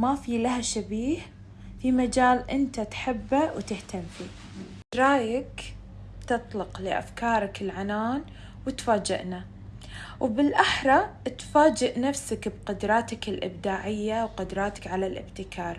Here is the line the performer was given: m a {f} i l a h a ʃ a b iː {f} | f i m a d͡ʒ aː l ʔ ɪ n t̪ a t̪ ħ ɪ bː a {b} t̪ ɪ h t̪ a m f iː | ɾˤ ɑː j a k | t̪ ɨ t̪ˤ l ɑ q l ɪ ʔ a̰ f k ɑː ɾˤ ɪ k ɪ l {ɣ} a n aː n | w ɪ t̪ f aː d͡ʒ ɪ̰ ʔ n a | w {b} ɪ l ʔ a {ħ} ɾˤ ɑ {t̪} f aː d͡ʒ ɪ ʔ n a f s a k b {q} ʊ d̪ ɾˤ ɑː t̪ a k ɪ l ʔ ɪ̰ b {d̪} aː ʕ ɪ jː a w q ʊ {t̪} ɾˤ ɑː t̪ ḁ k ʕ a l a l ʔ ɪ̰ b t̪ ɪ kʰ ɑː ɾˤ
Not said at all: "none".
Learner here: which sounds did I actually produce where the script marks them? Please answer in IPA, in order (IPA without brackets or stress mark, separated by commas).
f, h, w, ʕ, b, ħ, t̪, q, d̪, d̪